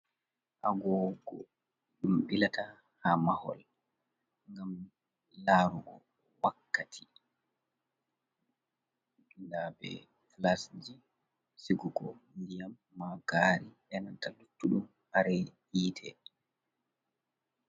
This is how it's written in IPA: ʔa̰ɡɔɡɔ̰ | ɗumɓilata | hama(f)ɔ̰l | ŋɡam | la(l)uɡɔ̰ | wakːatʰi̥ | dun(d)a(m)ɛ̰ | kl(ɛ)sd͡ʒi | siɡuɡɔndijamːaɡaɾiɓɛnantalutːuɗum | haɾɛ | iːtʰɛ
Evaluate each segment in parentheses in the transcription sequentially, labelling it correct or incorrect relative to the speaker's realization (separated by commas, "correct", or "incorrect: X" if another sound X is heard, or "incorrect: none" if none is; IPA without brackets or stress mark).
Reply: incorrect: h, incorrect: ɾ, correct, incorrect: b, incorrect: a